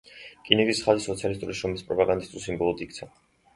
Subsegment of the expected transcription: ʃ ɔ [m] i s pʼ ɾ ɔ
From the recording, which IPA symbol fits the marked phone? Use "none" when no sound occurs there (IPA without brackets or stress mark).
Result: m